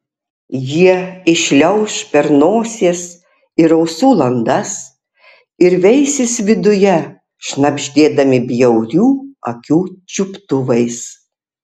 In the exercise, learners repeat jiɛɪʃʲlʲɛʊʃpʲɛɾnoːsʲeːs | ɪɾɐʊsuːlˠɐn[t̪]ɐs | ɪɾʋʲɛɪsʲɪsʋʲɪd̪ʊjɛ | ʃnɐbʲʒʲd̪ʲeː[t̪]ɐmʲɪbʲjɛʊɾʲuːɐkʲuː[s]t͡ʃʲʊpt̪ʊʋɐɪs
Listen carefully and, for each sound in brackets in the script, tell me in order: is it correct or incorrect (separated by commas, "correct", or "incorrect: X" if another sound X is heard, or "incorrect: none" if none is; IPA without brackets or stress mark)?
incorrect: d̪, incorrect: d̪, incorrect: none